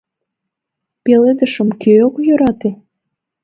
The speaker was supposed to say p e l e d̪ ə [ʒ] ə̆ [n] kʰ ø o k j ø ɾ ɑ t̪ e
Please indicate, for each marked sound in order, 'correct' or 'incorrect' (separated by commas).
incorrect, incorrect